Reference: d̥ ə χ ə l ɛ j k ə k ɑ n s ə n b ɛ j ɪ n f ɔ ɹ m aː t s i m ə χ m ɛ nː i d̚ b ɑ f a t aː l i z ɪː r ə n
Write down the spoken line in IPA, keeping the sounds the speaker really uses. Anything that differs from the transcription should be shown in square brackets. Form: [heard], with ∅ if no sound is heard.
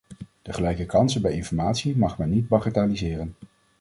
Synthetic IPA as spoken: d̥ ə χ ə l ɛ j k ə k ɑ n s ə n b ɛ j ɪ n f ɔ ɹ m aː t s i m [ɑ] χ m ɛ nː i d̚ b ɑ [χ] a t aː l i z ɪː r ə n